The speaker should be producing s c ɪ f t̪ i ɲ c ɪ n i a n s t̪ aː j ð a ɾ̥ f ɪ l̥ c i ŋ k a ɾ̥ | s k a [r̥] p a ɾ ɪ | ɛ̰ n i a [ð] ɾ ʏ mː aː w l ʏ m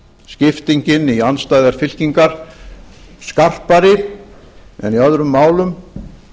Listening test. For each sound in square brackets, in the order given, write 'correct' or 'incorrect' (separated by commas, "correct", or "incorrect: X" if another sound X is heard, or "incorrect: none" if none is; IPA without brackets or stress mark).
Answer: correct, correct